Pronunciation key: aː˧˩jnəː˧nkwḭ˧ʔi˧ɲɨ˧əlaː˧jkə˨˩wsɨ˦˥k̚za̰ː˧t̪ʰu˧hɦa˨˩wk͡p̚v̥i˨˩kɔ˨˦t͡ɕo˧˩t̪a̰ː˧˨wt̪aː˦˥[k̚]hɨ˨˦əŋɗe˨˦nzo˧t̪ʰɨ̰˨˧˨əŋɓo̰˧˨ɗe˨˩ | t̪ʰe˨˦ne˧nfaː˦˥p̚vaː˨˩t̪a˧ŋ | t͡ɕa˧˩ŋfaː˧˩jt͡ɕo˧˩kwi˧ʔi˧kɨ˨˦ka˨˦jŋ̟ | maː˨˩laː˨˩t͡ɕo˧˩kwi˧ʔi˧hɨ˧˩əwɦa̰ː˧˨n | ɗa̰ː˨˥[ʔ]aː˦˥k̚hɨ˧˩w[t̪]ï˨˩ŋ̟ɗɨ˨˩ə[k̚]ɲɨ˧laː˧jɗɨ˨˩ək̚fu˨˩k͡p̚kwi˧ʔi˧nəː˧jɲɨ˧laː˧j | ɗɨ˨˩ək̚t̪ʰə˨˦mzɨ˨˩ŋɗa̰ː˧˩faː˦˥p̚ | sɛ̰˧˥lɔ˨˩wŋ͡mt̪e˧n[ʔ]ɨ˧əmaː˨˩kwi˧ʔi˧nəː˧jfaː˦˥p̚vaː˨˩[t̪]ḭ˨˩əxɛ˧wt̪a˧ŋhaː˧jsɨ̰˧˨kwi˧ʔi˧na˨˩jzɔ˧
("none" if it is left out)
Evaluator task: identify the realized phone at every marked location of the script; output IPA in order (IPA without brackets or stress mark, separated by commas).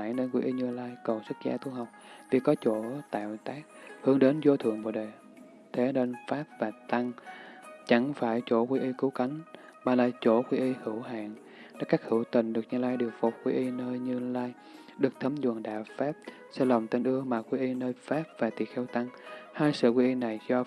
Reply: k̚, k, t̪, k̚, ʔ, t̪